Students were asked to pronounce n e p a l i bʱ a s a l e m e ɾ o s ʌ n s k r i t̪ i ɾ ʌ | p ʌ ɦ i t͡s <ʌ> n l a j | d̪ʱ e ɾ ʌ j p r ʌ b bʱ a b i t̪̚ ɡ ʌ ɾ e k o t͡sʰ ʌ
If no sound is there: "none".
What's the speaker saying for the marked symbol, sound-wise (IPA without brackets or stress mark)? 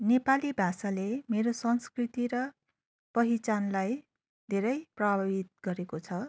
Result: a